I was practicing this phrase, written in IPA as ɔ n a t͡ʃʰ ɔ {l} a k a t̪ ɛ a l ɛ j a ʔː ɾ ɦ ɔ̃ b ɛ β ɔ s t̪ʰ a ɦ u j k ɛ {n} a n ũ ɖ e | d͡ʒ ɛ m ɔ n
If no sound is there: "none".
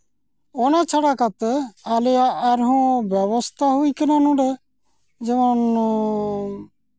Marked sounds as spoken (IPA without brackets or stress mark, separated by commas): ɽ, n